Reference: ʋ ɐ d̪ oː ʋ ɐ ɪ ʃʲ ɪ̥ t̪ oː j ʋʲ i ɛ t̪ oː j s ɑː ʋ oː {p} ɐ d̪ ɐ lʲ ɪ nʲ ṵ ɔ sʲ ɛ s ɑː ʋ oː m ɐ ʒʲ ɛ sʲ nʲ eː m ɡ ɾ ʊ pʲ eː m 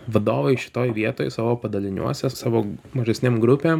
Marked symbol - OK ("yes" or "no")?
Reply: yes